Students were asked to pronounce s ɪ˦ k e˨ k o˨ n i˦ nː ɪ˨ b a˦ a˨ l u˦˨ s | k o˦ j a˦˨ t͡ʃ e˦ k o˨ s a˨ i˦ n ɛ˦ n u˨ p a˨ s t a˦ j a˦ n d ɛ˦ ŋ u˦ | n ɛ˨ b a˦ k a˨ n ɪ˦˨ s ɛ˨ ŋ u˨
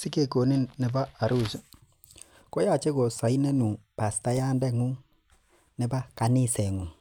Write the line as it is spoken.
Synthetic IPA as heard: s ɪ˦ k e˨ k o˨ n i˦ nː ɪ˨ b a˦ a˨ ɾ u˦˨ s | k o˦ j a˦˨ t͡ʃ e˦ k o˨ s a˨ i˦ n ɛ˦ n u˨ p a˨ s t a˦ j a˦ n d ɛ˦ ŋ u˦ | n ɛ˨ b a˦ k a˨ n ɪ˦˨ s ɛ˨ ŋ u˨

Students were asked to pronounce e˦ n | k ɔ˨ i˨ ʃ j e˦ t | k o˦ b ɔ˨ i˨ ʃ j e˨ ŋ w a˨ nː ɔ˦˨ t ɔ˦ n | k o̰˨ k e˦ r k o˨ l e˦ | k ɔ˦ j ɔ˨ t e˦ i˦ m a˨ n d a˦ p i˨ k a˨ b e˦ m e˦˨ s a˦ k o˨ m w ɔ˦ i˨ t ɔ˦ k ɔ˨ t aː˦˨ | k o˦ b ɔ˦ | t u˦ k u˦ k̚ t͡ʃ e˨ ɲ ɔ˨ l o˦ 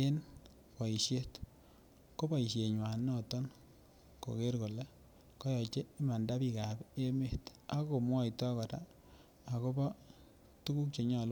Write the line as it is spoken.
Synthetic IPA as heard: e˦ n | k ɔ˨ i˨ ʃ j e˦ t | k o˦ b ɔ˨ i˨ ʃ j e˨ ɲ w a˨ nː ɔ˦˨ t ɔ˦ n | k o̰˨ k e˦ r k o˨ l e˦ | k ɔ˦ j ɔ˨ t͡ʃ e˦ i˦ m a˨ n d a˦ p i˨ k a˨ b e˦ m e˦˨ t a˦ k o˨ m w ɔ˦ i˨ t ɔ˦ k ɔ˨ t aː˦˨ | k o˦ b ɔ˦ | t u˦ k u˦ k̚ t͡ʃ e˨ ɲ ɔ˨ l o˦

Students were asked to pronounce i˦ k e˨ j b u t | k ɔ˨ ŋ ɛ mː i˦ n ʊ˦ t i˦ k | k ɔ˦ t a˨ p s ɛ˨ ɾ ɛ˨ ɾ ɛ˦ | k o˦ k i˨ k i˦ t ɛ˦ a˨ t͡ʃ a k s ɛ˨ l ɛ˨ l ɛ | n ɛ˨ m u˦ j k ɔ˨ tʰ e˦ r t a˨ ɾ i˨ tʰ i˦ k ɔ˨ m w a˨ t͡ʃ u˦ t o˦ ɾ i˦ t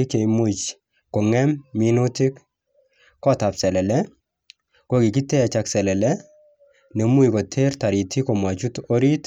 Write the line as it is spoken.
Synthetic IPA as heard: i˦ k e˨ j m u t͡ʃ | k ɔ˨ ŋ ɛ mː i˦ n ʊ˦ t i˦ k | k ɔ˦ t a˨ p s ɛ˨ l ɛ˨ l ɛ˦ | k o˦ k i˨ k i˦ t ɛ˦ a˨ t͡ʃ a k s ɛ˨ l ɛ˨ l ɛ | n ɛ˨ m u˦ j k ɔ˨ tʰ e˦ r t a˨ ɾ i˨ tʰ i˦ k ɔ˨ m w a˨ t͡ʃ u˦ t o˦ ɾ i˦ t

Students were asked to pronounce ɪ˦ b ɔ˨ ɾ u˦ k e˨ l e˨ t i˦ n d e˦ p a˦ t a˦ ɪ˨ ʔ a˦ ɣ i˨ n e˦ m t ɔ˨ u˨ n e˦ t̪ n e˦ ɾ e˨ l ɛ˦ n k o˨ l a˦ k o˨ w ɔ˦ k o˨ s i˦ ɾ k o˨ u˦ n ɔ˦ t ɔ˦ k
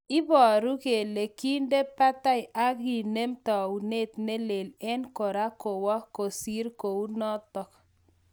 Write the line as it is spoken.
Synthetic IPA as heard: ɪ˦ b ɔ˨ ɾ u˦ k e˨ l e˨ k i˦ n d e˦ p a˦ t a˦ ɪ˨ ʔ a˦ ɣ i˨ n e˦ m t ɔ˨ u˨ n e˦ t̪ n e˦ l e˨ l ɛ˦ n k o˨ ɾ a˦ k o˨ w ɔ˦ k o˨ s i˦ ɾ k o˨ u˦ n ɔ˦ t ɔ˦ k

